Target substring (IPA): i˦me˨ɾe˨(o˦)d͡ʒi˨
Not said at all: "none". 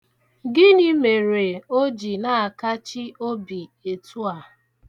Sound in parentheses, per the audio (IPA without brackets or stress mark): o˦